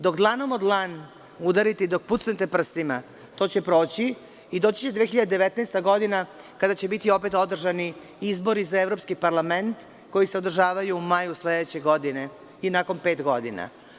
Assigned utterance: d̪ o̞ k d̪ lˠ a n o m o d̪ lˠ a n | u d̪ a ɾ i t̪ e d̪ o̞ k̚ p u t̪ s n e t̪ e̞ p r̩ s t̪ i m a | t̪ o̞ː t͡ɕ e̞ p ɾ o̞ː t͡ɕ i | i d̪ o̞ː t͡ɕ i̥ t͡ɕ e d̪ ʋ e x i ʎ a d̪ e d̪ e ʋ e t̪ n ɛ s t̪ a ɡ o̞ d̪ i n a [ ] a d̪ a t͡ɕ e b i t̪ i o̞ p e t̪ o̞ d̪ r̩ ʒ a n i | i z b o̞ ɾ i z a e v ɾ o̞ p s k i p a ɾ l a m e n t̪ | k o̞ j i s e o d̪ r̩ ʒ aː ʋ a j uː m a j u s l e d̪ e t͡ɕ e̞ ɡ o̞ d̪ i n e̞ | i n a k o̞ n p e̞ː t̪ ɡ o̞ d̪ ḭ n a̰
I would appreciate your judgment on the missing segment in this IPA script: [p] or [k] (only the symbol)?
k